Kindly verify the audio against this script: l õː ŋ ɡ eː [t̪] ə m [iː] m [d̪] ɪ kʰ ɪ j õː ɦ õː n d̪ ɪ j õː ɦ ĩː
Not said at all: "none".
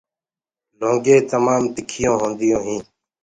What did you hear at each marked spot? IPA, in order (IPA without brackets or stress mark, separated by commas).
t̪, aː, t̪